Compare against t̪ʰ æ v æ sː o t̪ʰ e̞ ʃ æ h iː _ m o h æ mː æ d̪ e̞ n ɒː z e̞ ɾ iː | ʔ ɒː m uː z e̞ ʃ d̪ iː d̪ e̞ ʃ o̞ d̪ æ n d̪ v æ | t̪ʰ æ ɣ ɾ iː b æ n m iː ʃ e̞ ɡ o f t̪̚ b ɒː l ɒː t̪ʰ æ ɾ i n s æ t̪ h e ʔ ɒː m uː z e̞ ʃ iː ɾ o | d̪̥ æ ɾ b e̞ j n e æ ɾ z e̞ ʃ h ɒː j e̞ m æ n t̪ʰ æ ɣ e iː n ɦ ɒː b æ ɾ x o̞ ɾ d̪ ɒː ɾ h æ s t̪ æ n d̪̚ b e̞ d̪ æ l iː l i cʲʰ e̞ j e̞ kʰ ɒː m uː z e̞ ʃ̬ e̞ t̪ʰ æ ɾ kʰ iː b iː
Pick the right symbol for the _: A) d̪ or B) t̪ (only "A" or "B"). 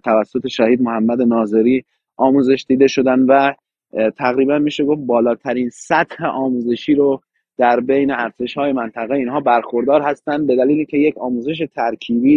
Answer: A